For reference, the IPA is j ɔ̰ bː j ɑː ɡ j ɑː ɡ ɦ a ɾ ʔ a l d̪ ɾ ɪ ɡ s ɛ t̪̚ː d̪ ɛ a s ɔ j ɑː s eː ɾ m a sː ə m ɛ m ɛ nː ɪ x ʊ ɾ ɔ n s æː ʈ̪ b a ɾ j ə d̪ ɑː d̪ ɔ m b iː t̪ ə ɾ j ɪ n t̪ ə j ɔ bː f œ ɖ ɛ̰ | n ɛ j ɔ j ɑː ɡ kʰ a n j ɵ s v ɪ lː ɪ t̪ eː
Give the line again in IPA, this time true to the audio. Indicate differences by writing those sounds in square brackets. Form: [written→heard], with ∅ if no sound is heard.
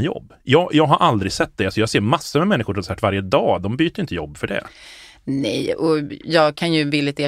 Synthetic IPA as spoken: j ɔ̰ bː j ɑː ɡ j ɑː ɡ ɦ a ɾ ʔ a l d̪ ɾ ɪ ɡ s ɛ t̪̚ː d̪ ɛ a s ɔ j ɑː s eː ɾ m a sː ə m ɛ m ɛ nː ɪ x ʊ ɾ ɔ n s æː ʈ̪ [b→v] a ɾ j ə d̪ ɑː d̪ ɔ m b [iː→yː] t̪ ə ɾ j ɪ n t̪ ə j ɔ bː f œ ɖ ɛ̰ | n ɛ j ɔ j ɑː ɡ kʰ a n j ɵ [s→∅] v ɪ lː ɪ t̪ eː